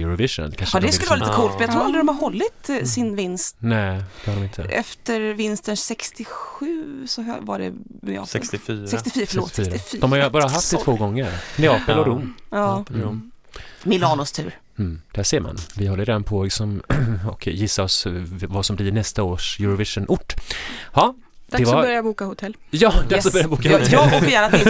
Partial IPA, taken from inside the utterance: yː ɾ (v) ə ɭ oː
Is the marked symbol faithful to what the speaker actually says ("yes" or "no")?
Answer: no